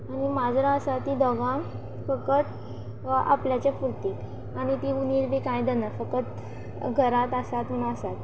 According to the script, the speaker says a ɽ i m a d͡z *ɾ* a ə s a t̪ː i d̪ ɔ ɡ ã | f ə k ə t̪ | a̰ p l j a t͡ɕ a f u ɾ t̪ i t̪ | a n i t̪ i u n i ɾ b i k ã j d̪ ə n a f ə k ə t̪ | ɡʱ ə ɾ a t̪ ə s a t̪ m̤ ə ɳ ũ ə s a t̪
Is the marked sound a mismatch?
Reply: no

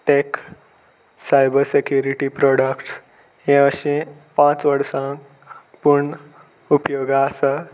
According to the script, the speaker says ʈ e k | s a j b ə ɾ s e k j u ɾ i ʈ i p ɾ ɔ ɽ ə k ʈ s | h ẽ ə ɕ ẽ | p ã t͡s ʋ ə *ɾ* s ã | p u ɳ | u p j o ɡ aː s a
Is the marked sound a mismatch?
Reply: yes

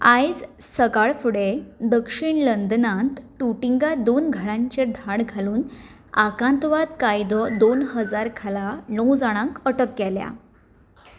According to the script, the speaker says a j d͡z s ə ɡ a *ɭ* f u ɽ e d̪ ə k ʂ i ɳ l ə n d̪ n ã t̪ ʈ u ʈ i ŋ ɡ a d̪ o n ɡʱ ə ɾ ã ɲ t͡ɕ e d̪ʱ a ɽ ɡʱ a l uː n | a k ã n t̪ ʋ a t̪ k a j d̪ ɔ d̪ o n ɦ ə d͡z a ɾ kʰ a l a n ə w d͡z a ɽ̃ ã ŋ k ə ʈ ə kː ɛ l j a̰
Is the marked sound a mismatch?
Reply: no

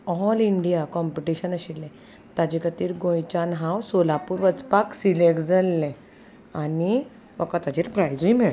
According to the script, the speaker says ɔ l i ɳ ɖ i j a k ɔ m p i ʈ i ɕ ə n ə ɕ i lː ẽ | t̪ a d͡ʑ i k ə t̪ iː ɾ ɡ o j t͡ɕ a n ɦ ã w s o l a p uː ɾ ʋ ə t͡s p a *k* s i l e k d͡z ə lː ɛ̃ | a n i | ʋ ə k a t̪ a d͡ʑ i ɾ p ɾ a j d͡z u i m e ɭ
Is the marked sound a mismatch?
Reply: no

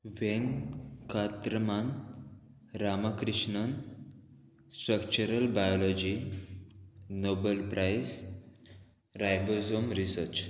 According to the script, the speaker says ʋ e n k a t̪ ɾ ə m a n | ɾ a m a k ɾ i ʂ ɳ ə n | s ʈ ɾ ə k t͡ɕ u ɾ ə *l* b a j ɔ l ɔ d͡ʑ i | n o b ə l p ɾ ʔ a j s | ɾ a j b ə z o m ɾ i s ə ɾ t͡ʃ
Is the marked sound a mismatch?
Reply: no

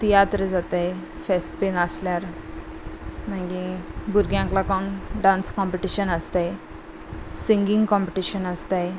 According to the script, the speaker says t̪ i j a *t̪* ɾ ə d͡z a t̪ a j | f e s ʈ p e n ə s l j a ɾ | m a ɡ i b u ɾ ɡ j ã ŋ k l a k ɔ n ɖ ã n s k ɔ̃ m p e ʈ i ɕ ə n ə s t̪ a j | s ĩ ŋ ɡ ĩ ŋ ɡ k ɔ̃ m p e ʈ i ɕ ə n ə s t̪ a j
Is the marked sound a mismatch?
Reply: no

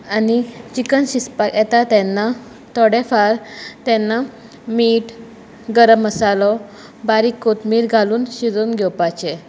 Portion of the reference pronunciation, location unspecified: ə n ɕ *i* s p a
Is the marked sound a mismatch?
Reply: no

